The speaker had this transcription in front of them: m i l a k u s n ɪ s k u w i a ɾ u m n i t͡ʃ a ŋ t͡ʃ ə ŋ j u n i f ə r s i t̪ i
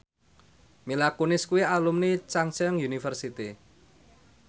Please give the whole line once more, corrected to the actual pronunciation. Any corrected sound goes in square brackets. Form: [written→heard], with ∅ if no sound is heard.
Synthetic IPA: m i l a k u [s→∅] n ɪ s k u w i a [ɾ→l] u m n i t͡ʃ a ŋ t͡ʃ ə ŋ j u n i f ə r s i t̪ i